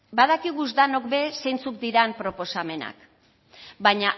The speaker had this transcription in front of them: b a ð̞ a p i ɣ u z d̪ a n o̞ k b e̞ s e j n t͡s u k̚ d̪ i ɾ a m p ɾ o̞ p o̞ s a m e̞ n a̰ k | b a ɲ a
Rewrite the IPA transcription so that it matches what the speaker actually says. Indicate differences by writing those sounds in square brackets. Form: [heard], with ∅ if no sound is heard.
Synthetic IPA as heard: b a ð̞ a [k] i ɣ u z d̪ a n o̞ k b e̞ s e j n t͡s u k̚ d̪ i ɾ a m p ɾ o̞ p o̞ s a m e̞ n a̰ k | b a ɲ a